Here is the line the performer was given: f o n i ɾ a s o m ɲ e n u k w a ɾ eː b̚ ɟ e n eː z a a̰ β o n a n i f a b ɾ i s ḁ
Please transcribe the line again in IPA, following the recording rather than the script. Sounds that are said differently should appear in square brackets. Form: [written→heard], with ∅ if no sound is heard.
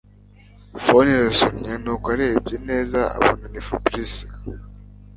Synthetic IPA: f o n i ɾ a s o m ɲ e n u k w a ɾ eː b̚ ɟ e n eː z a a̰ β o n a n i f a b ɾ i s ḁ